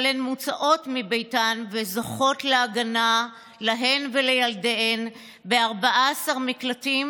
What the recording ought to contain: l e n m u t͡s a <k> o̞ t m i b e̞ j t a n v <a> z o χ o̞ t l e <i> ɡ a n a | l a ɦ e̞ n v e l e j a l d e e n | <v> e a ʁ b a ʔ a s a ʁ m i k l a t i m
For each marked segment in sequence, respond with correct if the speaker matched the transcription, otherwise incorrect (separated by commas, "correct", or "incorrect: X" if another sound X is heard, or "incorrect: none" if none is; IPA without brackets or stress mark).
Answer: incorrect: ʔ, incorrect: e, incorrect: a, incorrect: b